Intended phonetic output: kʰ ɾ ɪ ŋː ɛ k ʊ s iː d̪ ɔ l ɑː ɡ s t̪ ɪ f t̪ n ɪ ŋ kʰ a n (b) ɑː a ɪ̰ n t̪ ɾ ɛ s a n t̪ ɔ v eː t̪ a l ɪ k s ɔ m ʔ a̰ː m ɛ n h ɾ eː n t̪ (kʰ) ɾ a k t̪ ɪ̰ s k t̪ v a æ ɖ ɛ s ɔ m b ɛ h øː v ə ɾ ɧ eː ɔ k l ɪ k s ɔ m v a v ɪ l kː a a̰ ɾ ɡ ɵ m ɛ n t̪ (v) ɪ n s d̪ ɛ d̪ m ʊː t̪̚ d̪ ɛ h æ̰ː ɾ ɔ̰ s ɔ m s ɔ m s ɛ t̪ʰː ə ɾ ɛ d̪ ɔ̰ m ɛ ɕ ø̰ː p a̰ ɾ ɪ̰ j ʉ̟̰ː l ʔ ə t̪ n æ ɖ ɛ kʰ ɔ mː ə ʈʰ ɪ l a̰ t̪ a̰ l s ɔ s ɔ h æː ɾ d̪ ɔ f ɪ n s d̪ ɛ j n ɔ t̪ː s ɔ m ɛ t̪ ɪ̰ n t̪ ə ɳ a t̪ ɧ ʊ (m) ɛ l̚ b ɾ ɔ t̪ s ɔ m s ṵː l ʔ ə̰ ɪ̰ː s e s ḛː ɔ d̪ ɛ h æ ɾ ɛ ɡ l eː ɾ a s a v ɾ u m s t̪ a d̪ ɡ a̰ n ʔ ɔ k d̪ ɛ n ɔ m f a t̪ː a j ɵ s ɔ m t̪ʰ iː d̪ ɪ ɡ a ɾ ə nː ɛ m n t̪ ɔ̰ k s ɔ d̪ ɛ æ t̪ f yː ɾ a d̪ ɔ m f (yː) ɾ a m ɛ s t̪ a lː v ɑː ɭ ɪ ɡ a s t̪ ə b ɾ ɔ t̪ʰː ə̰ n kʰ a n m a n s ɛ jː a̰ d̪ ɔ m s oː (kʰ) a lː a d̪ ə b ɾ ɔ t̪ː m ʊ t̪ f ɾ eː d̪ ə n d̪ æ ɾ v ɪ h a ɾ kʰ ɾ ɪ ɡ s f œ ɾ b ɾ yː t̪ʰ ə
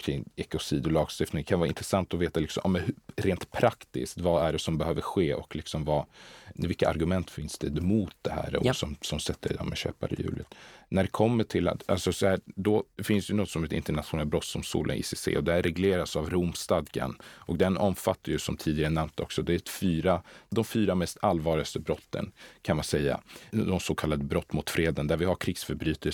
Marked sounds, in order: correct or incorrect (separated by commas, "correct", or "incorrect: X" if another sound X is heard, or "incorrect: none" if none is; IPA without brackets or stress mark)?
incorrect: v, incorrect: pʰ, incorrect: f, incorrect: n, correct, correct